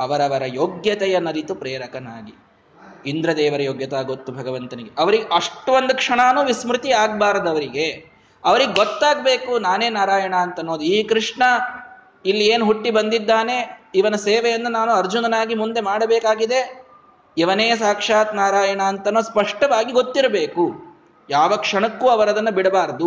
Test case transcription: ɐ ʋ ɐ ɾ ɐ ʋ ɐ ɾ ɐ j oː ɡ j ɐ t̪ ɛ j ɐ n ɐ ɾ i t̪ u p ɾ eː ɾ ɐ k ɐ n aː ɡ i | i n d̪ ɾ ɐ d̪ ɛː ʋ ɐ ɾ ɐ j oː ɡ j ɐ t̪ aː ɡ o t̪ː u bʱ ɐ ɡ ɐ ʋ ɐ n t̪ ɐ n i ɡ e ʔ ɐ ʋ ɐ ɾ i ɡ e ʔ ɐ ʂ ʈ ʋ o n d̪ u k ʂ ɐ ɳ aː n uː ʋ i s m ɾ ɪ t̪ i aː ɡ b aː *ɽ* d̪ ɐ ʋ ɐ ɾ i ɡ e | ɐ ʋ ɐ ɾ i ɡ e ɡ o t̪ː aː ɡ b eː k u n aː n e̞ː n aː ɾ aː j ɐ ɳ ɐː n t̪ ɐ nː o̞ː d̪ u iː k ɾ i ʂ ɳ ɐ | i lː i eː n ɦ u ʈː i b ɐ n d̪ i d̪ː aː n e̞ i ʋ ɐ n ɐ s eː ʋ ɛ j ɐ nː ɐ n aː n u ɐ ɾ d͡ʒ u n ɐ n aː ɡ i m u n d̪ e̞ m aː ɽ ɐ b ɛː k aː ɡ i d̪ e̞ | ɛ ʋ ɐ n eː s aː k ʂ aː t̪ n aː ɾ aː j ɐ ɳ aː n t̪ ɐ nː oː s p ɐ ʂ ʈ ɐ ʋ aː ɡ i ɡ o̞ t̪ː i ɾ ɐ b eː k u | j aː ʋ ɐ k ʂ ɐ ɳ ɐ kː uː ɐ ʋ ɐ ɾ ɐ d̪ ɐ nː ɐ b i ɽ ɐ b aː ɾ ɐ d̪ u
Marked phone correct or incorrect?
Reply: incorrect